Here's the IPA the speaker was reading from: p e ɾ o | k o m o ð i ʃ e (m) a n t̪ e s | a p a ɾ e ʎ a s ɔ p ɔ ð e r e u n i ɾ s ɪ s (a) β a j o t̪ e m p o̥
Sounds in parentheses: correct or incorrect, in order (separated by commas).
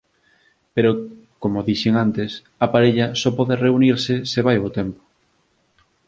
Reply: incorrect, incorrect